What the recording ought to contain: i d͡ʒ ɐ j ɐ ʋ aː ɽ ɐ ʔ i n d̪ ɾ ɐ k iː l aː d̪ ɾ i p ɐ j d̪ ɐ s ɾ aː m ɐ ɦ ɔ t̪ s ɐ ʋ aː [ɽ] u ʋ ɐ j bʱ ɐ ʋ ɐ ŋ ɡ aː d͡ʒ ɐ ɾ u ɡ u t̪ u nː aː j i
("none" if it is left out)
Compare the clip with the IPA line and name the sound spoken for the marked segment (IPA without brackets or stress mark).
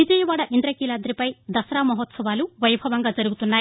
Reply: l